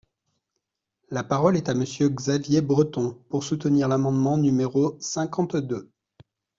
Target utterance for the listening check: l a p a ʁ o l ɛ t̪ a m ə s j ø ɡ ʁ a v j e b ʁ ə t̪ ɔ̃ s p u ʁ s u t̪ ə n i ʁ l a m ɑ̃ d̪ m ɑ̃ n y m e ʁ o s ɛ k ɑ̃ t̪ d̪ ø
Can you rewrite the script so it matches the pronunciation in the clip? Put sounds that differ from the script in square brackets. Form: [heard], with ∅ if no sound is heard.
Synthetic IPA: l a p a ʁ [ɔ] l ɛ t̪ a m ə s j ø ɡ [z] a v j e b ʁ ə t̪ ɔ̃ [∅] p u ʁ s u t̪ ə n i ʁ l a m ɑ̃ d̪ m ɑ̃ n y m e ʁ o s [ɛ̃] k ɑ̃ t̪ d̪ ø